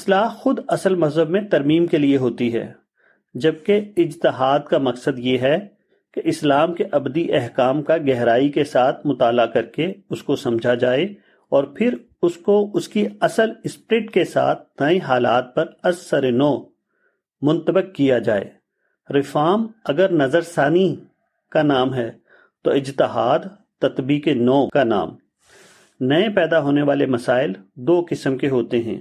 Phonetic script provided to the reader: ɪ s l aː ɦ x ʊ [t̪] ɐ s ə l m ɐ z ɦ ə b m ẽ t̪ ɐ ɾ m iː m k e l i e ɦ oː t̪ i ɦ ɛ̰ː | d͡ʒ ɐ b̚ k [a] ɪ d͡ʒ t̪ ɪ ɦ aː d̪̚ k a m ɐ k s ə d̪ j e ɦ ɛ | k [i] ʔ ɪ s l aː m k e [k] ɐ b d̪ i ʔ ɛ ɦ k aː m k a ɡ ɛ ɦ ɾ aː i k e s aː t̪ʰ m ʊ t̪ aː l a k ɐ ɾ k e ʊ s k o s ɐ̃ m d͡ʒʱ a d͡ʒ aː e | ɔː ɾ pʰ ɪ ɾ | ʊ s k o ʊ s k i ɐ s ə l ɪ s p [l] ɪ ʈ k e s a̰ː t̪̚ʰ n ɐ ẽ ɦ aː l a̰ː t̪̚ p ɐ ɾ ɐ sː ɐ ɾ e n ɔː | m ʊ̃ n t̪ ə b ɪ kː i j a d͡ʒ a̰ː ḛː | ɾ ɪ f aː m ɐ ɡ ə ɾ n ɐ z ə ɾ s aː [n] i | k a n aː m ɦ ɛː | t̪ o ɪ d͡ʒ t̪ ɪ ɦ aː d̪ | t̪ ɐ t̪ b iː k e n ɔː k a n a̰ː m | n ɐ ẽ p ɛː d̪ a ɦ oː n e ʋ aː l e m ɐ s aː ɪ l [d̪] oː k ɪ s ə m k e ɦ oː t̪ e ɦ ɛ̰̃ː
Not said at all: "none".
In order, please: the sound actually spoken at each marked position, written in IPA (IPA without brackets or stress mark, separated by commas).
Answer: d̪, e, e, ʔ, ɾ, n, d̪